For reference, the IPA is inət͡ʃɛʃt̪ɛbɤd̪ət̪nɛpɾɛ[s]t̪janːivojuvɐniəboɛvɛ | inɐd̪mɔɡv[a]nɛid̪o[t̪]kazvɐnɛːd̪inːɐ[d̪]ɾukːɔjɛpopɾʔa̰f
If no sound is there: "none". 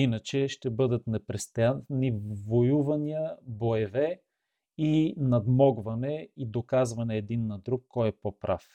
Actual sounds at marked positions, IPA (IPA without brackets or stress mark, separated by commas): s, ɐ, none, d̪